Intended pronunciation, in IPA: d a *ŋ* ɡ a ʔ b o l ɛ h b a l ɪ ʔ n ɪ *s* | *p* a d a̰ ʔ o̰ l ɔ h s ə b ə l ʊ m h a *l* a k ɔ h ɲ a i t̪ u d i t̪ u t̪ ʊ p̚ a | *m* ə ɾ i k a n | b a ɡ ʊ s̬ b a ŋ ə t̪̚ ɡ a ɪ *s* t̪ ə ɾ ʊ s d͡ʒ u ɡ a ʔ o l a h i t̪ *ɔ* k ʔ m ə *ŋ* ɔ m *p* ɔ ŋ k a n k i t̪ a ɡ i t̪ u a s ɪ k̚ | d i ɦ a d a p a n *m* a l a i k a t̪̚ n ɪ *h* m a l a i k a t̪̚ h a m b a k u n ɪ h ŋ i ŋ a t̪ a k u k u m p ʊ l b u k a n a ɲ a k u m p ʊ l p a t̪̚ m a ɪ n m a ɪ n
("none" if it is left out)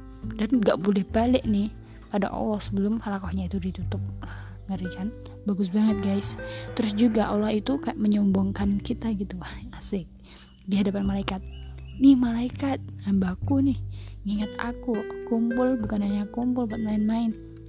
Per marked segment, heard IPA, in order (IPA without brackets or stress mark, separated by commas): n, h, p, l, ŋ, s, u, ɲ, b, m, h